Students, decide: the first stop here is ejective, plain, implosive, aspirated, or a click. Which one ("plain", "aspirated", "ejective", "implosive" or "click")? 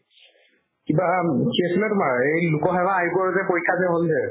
plain